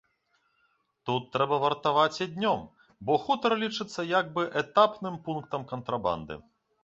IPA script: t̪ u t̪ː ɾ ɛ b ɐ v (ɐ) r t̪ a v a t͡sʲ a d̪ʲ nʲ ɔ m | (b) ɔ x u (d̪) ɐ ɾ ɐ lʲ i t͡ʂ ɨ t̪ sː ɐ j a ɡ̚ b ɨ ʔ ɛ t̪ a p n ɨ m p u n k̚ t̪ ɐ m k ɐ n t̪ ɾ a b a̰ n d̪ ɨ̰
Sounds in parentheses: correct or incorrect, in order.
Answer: correct, correct, incorrect: t̪

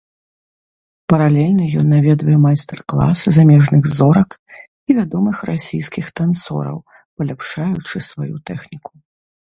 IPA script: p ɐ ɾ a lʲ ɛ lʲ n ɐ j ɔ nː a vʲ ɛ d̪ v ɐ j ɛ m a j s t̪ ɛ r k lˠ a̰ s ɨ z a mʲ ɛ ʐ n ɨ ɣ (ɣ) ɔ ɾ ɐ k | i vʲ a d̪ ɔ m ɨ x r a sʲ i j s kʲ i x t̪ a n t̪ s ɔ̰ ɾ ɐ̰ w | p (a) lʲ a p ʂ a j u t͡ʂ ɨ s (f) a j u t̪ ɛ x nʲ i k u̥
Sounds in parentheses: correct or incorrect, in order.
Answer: incorrect: z, incorrect: ɐ, incorrect: v

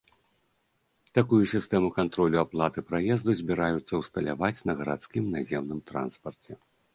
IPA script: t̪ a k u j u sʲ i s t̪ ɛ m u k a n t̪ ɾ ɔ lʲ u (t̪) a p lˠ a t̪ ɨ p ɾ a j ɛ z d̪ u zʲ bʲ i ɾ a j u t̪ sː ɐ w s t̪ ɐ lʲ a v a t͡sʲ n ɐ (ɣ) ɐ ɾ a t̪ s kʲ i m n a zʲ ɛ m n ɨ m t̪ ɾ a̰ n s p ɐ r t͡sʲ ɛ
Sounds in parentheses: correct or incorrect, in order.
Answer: incorrect: none, correct

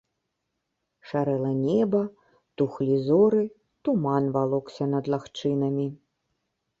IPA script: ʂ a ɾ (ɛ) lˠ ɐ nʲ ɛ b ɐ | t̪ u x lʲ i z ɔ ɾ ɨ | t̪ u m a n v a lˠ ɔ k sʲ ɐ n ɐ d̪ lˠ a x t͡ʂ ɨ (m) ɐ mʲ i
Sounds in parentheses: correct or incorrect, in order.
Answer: correct, incorrect: n

